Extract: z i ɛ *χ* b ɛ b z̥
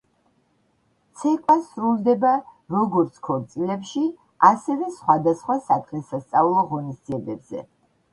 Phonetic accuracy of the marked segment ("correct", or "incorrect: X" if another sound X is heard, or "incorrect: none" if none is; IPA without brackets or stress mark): incorrect: none